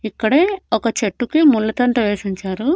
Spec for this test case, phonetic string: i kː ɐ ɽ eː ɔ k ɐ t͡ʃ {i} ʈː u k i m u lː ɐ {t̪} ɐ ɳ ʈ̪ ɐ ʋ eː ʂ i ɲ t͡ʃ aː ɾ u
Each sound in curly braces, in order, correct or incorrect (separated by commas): incorrect, correct